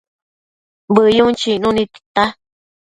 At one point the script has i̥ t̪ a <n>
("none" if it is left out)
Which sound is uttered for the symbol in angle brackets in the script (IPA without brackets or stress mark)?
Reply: none